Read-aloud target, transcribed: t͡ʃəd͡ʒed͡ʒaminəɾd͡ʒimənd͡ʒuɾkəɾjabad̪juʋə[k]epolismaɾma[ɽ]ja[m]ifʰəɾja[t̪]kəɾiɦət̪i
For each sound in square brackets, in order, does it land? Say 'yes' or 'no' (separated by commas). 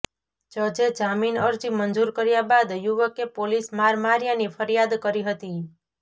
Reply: yes, no, no, no